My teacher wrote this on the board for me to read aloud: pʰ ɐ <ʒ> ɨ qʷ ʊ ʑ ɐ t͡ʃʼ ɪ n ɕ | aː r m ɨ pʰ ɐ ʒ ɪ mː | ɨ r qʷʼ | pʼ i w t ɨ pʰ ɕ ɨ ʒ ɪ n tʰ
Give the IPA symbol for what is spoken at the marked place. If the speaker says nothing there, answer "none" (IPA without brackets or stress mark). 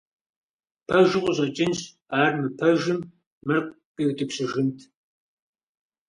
ʒ